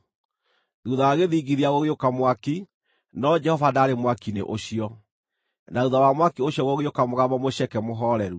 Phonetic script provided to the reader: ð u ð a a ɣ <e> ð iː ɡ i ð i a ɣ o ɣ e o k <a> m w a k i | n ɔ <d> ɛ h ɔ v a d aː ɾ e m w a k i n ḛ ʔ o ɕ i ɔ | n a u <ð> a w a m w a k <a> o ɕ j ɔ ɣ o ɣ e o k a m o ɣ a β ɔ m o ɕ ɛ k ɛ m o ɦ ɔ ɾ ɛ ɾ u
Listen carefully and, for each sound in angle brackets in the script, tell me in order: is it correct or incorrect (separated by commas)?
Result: correct, correct, incorrect, correct, incorrect